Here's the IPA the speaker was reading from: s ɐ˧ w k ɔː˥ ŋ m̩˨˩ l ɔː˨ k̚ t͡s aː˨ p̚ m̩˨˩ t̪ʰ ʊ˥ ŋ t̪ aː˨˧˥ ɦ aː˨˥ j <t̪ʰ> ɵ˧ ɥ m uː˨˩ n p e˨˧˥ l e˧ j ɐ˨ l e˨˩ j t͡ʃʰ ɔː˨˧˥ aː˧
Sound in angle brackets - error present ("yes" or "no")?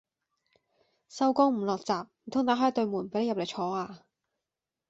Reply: yes